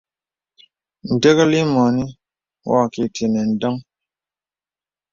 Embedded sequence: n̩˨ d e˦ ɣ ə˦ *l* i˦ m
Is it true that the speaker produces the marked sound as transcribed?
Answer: yes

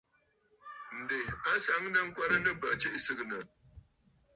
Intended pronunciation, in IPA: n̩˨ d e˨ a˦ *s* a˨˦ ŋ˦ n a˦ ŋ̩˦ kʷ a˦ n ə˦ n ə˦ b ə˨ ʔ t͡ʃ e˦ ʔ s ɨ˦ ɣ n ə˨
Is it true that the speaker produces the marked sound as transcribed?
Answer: yes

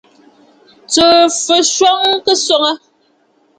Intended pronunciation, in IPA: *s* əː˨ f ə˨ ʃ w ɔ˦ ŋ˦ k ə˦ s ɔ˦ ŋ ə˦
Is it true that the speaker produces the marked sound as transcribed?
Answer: no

